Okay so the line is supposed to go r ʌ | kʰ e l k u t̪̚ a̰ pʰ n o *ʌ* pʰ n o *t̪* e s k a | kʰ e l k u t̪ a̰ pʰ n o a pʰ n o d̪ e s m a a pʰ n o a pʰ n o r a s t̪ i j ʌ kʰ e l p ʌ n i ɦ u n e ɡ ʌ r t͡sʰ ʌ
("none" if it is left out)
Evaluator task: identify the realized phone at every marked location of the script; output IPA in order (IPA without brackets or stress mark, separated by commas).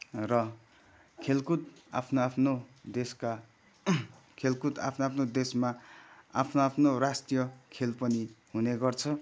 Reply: a, d̪